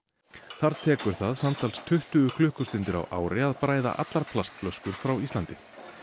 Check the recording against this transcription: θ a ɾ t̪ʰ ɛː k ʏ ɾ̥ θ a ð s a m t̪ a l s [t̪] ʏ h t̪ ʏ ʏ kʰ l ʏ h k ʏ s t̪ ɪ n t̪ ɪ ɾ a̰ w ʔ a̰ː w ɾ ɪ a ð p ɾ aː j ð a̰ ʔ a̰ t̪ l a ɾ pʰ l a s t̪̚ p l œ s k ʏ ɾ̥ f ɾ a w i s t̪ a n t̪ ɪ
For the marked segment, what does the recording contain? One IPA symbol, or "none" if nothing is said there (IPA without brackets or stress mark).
t̪ʰ